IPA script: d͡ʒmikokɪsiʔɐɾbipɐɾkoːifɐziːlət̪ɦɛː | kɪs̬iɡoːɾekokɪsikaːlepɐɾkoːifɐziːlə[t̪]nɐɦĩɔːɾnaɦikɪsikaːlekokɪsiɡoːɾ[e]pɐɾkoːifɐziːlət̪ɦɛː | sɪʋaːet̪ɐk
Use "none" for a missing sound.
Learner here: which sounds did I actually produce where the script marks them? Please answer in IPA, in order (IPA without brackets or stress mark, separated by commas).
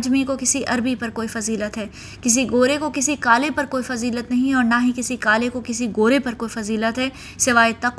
t̪, e